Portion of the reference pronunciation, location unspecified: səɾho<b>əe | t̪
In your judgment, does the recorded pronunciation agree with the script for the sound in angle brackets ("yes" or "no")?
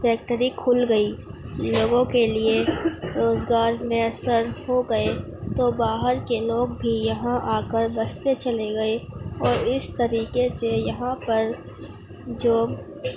no